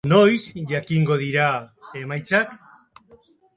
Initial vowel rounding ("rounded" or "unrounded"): rounded